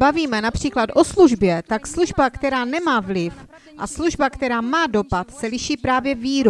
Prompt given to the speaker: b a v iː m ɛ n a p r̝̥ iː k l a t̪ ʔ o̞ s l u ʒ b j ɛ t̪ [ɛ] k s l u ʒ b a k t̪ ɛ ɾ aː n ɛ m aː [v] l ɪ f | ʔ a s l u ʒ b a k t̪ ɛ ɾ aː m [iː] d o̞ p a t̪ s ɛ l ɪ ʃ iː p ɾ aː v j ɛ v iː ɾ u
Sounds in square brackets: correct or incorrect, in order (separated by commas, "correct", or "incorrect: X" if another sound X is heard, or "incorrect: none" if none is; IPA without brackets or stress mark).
incorrect: a, correct, incorrect: aː